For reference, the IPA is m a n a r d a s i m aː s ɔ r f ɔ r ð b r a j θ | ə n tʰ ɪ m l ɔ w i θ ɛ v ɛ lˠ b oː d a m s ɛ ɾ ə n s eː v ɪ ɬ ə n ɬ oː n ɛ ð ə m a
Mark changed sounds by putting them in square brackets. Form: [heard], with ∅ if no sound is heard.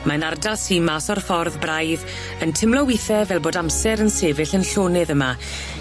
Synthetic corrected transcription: m a n a r d a s i m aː s ɔ r f ɔ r ð b r a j [ð] | ə n tʰ ɪ m l ɔ w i θ ɛ v ɛ lˠ b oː d a m s ɛ ɾ ə n s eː v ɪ ɬ ə n ɬ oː n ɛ ð ə m a

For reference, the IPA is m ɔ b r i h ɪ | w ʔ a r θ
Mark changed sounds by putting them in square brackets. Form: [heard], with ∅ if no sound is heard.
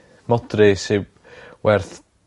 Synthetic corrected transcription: m ɔ [d] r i [s] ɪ | w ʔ [ɛ] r θ

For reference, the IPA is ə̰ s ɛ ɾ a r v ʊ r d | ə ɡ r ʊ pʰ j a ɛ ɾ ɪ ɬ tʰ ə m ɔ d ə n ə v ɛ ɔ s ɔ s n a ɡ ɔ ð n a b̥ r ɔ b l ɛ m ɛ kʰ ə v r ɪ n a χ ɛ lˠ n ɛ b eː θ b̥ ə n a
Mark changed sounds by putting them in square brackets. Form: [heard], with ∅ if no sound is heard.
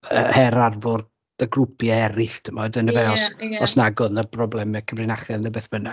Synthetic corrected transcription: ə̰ [h] ɛ ɾ a r v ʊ r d | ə ɡ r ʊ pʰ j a ɛ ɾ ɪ ɬ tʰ ə m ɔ d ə n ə v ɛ ɔ s ɔ s n a ɡ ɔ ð n a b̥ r ɔ b l ɛ m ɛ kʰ ə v r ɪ n a χ ɛ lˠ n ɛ b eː θ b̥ ə n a

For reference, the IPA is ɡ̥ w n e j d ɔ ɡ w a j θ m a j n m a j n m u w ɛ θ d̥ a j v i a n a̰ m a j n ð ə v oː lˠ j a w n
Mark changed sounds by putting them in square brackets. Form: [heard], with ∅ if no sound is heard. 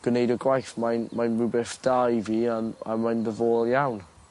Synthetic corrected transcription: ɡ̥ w n e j d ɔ ɡ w a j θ m a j n m a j n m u [b] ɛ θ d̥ a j v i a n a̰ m a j n ð ə v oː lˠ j a w n

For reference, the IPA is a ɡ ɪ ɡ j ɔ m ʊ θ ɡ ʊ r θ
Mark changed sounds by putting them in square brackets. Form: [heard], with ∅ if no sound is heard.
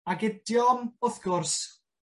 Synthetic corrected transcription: a ɡ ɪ [d] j ɔ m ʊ θ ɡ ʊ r [s]

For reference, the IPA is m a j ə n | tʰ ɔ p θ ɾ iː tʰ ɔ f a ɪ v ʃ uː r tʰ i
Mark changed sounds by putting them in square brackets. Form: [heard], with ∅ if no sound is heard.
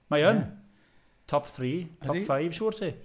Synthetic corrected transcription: m a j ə n | tʰ ɔ p θ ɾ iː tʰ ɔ f a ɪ v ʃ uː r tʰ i

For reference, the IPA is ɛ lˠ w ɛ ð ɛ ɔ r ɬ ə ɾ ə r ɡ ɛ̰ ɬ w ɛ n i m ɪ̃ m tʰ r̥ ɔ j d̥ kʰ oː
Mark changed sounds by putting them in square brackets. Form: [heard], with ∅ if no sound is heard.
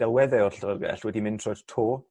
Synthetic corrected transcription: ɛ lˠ w ɛ ð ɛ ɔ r ɬ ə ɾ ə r ɡ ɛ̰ ɬ w ɛ [d] i m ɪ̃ [n] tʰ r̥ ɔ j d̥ [tʰ] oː

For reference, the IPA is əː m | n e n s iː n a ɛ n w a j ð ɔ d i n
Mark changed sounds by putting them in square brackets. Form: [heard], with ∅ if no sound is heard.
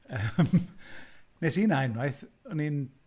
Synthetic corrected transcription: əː m | n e [∅] s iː n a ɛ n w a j [θ] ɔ [n] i n

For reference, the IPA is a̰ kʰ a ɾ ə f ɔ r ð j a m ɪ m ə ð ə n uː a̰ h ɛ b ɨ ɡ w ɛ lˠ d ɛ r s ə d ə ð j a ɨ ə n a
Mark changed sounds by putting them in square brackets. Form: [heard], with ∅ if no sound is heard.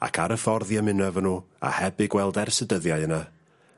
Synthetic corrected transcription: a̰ kʰ a ɾ ə f ɔ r ð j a m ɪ [n] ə [v] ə n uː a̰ h ɛ b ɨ ɡ w ɛ lˠ d ɛ r s ə d ə ð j a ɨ ə n a

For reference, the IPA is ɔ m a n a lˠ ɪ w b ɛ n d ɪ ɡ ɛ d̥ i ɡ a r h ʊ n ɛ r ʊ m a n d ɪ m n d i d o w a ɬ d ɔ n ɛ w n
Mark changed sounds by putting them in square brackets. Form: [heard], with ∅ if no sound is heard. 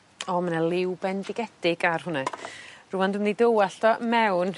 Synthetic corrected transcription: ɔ m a n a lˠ ɪ w b ɛ n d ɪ ɡ ɛ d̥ [ɪ] ɡ a r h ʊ n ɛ r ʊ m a n d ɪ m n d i d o w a ɬ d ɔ [m] ɛ w n

